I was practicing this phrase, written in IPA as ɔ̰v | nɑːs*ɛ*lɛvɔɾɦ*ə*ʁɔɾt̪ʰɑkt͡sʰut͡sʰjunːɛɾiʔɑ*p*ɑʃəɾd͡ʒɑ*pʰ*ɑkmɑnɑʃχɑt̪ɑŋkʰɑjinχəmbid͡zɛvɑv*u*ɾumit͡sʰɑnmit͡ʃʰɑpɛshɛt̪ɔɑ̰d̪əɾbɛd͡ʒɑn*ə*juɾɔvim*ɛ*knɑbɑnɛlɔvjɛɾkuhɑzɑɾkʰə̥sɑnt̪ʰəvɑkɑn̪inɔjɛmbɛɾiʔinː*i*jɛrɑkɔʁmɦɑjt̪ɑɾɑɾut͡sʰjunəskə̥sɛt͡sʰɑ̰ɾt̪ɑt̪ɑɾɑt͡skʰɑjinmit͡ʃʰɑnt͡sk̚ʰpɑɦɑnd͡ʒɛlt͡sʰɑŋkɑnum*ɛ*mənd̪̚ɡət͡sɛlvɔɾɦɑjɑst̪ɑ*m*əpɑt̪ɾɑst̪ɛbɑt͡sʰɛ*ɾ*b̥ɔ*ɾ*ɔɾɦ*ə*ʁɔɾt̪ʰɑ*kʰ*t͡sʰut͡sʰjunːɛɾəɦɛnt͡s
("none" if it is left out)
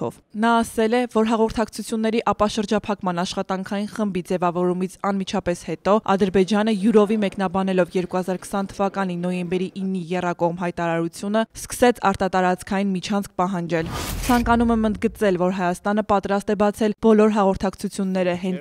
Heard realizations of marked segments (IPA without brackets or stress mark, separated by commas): ɛ, ɑ, p, pʰ, ɔ, ə, ɛ, i, ɛ, n, l, l, ɑ, k